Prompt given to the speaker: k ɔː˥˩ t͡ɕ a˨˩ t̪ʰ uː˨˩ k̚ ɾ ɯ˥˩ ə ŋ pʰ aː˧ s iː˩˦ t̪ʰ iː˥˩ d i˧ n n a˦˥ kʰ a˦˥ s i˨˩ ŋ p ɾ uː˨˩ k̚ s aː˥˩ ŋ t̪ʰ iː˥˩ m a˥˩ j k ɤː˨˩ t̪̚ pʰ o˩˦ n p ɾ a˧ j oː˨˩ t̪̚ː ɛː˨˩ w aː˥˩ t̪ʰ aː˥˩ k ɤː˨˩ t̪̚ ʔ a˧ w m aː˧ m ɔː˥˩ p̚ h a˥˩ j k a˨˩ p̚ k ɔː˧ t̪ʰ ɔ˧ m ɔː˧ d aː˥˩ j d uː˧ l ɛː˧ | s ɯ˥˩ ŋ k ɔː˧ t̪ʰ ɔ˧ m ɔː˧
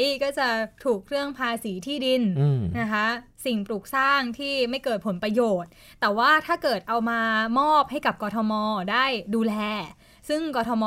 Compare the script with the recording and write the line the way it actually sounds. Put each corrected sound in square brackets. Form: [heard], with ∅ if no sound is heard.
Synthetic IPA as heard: k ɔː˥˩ t͡ɕ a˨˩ t̪ʰ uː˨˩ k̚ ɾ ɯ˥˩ ə ŋ pʰ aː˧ s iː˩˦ t̪ʰ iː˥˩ d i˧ n n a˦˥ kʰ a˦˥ s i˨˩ ŋ p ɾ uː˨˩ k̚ s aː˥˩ ŋ t̪ʰ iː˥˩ m a˥˩ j k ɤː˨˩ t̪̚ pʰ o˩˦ n p ɾ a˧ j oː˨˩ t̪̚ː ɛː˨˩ w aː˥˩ t̪ʰ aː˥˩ k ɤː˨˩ t̪̚ ʔ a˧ w m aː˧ m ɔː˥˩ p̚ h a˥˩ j k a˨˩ p̚ k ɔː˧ t̪ʰ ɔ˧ m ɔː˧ d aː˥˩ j d uː˧ l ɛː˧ | s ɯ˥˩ ŋ k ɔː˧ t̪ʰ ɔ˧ m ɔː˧